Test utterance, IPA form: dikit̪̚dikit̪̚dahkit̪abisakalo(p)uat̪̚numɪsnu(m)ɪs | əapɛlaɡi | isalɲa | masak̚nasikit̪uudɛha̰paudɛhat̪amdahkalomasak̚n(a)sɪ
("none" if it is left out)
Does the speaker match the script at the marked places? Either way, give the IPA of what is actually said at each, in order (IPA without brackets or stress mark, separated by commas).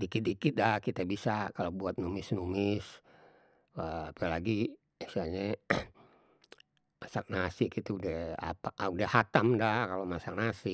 b, m, a